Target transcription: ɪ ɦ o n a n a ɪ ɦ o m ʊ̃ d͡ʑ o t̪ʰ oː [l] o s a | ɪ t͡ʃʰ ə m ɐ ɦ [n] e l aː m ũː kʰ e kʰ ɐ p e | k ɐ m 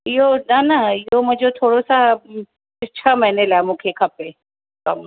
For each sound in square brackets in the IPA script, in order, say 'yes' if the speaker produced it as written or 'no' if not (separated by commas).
no, yes